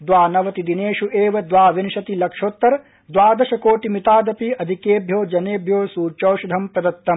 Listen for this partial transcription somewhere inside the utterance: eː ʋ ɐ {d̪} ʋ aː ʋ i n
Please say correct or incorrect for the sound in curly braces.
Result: correct